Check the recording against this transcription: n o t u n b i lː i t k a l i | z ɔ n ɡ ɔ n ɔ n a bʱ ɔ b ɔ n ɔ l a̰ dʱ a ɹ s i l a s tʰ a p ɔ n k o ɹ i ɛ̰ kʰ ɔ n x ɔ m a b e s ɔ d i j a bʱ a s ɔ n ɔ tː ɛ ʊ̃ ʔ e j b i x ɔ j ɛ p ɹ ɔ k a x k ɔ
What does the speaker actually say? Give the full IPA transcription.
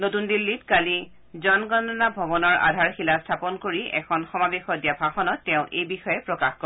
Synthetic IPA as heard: n o t u n d i lː i t k a l i | z ɔ n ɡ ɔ n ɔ n a bʱ ɔ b ɔ n ɔ ɹ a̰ dʱ a ɹ x i l a s tʰ a p ɔ n k o ɹ i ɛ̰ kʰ ɔ n x ɔ m a b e x ɔ d i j a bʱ a x ɔ n ɔ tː ɛ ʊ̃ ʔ e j b i x ɔ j ɛ p ɹ ɔ k a x k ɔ